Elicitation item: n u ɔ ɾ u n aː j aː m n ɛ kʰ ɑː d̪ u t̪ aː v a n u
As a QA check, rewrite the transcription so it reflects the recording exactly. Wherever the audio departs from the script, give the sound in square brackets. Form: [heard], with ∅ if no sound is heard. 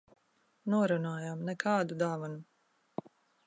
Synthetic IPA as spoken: n u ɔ ɾ u n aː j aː m n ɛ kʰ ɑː d̪ u [d̪] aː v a n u